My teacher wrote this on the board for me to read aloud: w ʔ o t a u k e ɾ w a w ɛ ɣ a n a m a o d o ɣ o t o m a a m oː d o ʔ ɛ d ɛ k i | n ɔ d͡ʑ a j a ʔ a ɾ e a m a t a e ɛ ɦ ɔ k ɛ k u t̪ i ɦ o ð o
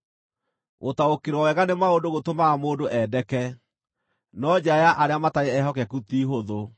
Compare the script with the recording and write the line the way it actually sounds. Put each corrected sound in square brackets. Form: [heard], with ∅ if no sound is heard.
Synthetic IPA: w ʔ o t a [o] k e ɾ w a w ɛ ɣ a n [e] m a o d o ɣ o t o m a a m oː d o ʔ ɛ d ɛ k [ɛ] | n ɔ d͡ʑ a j a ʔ a ɾ e a m a t a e ɛ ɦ ɔ k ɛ k u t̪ i ɦ o ð o